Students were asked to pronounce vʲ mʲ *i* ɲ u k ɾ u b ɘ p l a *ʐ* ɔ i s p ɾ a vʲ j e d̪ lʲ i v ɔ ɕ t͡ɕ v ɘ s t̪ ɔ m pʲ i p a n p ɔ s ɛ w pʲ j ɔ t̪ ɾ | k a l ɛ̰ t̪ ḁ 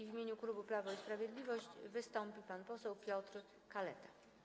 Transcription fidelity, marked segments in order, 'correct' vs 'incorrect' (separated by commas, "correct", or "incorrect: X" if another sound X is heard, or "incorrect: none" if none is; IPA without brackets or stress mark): incorrect: e, incorrect: v